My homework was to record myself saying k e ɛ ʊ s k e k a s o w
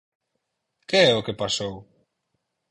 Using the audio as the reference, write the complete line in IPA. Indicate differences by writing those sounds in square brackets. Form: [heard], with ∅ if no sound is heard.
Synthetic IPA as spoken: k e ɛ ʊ [∅] k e [p] a s o w